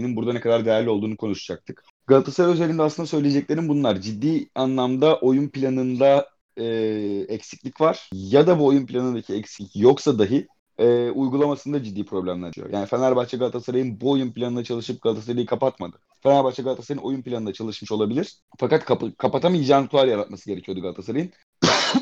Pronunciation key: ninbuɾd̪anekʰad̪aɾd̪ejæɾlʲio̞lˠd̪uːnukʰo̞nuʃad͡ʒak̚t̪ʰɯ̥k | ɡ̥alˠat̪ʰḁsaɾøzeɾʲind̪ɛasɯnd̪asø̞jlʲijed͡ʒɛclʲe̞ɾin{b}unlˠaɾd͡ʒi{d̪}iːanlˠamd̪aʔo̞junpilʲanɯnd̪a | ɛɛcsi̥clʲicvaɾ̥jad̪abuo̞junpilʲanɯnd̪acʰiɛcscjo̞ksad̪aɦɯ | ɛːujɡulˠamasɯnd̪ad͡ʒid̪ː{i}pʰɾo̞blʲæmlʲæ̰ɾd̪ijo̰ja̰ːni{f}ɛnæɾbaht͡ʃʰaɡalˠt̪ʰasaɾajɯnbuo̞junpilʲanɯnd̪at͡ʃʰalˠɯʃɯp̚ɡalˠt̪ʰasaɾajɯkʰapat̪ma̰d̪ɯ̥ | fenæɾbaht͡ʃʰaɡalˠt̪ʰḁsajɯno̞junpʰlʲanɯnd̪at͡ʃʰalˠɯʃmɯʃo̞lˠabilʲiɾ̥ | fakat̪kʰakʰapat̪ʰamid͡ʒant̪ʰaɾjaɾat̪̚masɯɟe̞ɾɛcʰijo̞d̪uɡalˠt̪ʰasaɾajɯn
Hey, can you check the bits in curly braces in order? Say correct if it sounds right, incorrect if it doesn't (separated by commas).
correct, incorrect, incorrect, correct